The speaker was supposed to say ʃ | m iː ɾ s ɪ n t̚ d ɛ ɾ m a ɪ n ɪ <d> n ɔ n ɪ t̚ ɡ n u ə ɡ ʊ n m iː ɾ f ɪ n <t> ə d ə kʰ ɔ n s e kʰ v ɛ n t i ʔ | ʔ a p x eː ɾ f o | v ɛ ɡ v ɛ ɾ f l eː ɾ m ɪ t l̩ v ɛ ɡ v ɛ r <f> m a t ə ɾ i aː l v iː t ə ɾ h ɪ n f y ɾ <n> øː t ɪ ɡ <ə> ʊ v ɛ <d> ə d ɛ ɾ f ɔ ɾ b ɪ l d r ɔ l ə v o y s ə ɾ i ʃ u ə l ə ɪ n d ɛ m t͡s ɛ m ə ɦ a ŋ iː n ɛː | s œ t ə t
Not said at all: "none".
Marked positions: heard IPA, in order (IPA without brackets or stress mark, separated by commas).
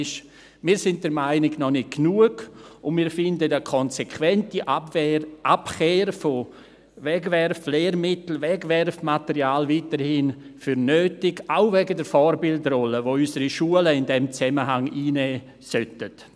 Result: ɡ, d, f, n, a, ɡ